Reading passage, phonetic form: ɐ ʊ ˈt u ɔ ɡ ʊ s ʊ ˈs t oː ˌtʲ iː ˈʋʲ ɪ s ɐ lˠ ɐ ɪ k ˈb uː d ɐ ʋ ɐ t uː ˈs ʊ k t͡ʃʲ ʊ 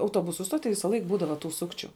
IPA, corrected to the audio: ɐ ʊ ˈt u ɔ b ʊ s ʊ ˈs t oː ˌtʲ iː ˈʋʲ ɪ s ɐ lˠ ɐ ɪ k ˈb uː d ɐ ʋ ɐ t uː ˈs ʊ k t͡ʃʲ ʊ